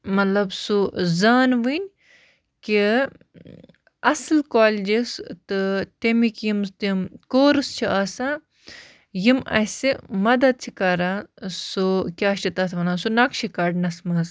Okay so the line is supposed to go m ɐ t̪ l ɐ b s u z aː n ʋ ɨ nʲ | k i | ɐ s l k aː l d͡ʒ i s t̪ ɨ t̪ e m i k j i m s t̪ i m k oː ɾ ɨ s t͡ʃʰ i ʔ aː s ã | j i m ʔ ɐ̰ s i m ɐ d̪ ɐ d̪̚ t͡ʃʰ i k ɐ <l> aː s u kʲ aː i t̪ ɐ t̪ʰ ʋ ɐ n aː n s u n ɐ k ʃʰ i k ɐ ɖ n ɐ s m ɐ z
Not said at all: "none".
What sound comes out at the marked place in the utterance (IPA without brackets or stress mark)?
ɾ